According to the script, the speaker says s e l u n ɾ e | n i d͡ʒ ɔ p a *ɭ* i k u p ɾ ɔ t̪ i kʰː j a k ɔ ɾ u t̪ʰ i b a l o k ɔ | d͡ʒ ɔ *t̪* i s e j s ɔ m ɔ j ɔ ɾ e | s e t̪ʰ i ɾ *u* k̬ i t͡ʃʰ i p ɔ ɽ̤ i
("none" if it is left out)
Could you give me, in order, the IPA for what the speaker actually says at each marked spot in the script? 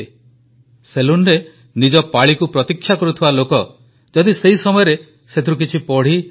ɭ, d̪, u

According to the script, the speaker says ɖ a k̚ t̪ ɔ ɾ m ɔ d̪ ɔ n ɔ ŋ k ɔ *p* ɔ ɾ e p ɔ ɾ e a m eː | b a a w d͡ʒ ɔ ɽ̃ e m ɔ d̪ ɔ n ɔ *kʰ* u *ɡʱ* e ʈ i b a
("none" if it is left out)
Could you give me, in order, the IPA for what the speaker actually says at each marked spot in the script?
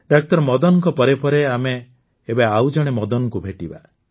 p, k, bʱ

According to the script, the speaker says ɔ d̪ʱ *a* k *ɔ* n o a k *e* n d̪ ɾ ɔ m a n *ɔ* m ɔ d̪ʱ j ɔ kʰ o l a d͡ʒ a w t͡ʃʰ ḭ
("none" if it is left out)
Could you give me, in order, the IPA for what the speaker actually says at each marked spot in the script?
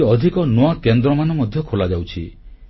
i, ɔ, e, ɔ

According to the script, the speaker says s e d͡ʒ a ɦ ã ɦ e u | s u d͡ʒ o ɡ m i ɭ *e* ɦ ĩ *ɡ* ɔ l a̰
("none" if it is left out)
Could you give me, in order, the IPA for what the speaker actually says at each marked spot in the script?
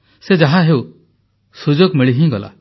i, ɡ

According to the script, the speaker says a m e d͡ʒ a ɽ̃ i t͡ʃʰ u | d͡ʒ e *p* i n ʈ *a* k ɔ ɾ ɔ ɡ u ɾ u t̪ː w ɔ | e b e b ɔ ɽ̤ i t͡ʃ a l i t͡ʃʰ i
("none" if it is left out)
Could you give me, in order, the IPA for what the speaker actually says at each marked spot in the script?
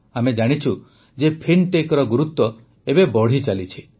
pʰ, e

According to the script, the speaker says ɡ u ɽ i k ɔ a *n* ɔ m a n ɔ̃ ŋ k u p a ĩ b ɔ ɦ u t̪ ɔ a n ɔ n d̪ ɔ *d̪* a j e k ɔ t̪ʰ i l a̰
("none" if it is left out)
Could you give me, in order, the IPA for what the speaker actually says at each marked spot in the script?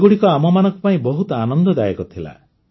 m, d̪

